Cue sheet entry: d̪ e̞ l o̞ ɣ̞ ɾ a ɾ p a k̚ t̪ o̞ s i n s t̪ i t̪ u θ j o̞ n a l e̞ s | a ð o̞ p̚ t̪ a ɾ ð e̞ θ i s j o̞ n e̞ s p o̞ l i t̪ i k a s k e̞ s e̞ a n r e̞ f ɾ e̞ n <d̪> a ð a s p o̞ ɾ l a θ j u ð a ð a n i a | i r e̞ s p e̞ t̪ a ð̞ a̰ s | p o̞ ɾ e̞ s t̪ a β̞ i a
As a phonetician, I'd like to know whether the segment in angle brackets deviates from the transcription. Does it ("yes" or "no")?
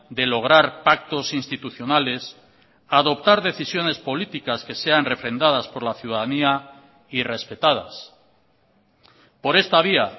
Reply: no